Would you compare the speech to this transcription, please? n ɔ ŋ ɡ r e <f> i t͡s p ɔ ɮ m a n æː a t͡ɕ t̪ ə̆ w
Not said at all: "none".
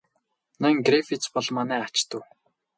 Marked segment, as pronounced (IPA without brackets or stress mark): f